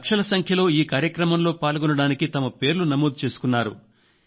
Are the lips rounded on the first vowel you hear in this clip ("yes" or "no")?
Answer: no